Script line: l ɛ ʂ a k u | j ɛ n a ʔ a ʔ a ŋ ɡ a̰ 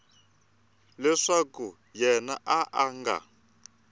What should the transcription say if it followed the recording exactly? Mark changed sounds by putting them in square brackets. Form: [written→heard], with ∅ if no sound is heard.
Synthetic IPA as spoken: l ɛ ʂ a k u | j ɛ n a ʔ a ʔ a ŋ ɡ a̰